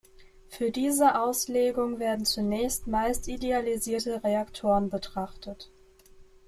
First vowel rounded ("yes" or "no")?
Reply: yes